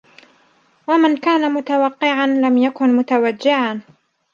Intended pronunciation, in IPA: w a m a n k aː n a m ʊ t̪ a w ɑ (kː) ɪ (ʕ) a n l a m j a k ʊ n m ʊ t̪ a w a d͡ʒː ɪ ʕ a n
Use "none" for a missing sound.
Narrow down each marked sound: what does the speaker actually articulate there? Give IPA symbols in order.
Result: qː, ʕ

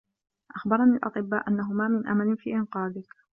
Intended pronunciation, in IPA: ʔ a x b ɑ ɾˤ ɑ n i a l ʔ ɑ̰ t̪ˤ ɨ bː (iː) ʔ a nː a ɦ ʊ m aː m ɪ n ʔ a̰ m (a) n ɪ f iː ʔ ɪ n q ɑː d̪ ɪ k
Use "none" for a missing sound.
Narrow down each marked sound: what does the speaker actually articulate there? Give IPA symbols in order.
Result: aː, a

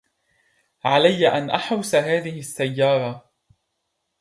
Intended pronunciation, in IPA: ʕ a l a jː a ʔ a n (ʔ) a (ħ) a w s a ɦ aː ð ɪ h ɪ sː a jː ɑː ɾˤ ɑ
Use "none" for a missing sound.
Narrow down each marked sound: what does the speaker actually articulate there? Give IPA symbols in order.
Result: ʔ, ħ

